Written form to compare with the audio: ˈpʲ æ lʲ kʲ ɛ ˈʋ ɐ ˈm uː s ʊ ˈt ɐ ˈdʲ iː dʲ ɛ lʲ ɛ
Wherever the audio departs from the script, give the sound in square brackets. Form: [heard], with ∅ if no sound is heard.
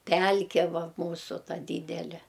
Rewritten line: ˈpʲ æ lʲ kʲ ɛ ˈʋ ɐ ˈm uː s ʊ ˈt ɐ ˈdʲ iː dʲ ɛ lʲ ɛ